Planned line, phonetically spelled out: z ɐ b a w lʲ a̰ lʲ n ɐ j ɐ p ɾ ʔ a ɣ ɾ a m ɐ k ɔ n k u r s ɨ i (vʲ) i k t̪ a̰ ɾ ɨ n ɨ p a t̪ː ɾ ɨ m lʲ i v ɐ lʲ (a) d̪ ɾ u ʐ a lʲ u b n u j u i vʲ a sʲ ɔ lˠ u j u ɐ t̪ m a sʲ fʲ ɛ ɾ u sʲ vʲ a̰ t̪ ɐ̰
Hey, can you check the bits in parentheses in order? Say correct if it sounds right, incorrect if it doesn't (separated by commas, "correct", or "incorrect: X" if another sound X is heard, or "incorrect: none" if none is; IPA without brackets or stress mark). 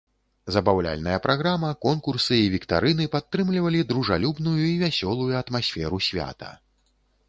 correct, incorrect: i